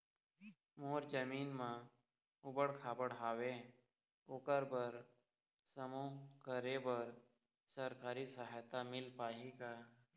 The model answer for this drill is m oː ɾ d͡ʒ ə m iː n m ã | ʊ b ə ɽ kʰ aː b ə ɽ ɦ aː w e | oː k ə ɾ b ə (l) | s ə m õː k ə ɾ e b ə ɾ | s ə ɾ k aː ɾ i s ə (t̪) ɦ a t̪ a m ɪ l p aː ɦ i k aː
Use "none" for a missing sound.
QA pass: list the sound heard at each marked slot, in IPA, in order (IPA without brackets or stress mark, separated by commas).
ɾ, none